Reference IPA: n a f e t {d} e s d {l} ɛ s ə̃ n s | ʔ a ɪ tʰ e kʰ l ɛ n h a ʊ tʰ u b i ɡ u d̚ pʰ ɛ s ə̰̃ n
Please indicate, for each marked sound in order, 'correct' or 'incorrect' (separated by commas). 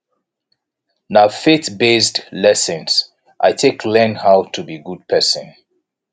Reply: incorrect, correct